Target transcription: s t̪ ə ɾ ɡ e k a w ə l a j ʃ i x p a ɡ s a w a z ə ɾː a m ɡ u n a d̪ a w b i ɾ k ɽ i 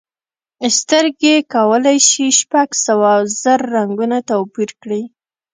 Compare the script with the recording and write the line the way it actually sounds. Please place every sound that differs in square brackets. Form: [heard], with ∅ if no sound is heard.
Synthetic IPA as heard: s t̪ ə ɾ ɡ e k a w ə l a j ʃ i [ʃ] p a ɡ s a w a z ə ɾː a [ŋ] ɡ u n a [t̪] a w [p] i ɾ k ɽ i